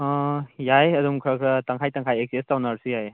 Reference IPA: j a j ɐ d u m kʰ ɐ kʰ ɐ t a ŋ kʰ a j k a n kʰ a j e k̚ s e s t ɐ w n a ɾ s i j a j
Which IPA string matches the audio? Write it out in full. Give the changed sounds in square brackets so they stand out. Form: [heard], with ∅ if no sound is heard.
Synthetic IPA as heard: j a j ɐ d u m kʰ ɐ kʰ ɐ t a ŋ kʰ a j [t] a [ŋ] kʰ a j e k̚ s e s t [a] w n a ɾ s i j a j